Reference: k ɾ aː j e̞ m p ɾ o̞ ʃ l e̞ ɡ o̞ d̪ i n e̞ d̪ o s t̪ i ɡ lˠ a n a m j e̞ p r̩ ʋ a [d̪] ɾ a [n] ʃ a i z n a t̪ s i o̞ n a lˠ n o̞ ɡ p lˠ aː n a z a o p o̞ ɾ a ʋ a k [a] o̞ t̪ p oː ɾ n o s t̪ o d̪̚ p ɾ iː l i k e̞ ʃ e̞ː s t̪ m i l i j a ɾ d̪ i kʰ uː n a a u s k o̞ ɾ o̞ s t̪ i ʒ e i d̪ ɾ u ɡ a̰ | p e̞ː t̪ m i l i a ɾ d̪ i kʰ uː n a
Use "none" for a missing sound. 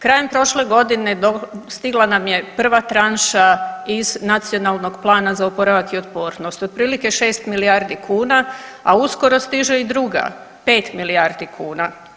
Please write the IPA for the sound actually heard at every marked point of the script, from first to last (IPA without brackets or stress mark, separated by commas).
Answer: t̪, n, i